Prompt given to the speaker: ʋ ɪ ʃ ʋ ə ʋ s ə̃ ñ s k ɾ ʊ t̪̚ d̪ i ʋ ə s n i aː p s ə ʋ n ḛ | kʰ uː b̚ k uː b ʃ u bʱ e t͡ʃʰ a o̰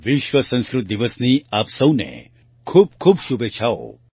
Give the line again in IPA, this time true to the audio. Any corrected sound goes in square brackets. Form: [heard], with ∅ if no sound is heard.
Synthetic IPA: ʋ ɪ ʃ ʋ ə [∅] s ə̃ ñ s k ɾ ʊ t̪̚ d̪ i ʋ ə s n i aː p s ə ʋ n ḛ | kʰ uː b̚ [kʰ] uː b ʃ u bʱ e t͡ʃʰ a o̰